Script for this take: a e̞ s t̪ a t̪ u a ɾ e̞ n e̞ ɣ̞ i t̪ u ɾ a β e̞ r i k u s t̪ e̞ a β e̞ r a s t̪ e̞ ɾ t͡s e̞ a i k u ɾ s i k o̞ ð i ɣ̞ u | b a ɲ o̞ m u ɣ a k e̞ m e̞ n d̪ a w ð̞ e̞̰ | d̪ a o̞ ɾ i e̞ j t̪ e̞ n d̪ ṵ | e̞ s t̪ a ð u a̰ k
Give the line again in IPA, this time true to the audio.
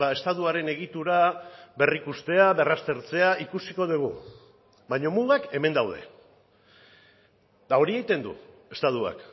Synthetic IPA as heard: a e̞ s t̪ a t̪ u a ɾ e̞ n e̞ ɣ̞ i t̪ u ɾ a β e̞ r i k u s t̪ e̞ a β e̞ r a s t̪ e̞ ɾ t͡s e̞ a i k u s i k o̞ ð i ɣ̞ u | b a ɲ o̞ m u ɣ a k e̞ m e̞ n d̪ a w ð̞ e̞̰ | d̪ a o̞ ɾ i e̞ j t̪ e̞ n d̪ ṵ | e̞ s t̪ a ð u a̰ k